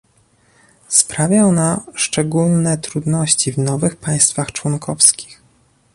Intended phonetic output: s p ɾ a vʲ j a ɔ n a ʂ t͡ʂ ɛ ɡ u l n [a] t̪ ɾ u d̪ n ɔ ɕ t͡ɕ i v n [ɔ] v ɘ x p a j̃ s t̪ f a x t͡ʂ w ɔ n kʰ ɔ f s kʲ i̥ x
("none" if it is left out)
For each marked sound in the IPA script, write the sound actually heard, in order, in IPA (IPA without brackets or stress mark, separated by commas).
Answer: ɛ, ɔ